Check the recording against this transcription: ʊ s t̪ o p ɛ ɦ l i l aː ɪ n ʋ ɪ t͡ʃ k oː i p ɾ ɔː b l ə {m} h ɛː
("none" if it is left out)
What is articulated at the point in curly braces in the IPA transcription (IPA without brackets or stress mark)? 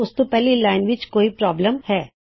m